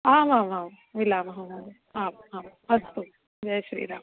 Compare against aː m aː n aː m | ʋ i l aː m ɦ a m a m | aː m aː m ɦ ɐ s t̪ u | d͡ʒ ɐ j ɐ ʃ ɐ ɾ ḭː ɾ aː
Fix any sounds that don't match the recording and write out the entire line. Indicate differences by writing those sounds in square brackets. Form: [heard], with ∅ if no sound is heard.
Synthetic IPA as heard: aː m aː [m] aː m | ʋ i l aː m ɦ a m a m | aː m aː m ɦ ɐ s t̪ u | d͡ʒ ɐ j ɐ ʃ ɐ ɾ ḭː ɾ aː